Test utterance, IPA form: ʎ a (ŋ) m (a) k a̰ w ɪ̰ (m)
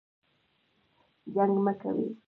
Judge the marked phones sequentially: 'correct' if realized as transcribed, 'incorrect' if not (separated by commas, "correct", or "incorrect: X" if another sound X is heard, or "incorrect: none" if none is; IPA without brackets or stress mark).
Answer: correct, correct, incorrect: none